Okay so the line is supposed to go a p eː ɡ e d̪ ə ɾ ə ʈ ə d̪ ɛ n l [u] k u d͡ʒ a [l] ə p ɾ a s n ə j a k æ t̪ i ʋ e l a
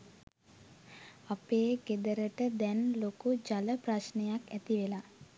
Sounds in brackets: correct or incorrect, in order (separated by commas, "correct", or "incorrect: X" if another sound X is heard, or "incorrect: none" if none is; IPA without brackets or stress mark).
incorrect: o, correct